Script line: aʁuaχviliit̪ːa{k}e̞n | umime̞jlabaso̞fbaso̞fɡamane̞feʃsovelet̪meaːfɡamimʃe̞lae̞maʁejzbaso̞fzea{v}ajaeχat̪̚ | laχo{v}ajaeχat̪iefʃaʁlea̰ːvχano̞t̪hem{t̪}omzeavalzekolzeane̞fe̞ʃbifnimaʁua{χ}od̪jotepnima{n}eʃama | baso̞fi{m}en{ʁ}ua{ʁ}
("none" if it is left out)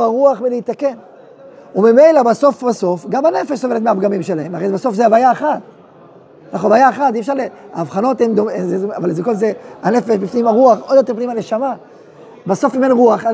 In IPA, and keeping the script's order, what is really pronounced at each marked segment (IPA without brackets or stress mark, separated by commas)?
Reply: k, v, v, d̪, χ, n, m, ʁ, χ